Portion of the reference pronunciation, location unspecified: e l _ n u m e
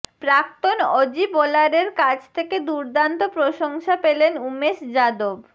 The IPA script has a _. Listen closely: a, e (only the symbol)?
e